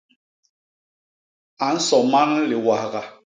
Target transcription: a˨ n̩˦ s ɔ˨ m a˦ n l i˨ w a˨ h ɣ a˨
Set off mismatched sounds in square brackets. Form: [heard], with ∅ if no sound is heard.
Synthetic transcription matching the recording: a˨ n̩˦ s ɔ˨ m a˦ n l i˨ w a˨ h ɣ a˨